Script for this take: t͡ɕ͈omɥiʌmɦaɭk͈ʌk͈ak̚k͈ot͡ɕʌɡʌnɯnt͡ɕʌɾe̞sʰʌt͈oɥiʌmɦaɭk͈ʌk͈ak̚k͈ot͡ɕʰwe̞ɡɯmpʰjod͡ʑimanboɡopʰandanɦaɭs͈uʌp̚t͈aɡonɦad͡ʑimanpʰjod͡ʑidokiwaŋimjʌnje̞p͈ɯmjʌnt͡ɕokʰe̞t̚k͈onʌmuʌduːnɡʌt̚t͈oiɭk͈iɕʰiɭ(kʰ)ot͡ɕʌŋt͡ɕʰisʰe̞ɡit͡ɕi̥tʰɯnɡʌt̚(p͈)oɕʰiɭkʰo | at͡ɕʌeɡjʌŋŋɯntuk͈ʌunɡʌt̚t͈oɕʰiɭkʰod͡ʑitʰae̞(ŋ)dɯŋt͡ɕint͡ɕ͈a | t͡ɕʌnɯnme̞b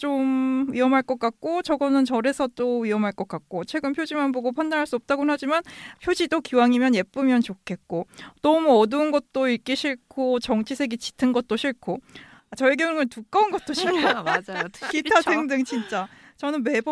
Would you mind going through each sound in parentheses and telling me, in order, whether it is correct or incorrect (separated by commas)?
correct, incorrect, correct